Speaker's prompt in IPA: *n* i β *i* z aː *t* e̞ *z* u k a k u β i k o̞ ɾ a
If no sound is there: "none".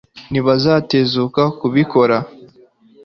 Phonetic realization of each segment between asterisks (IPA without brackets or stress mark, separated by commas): n, a, t, z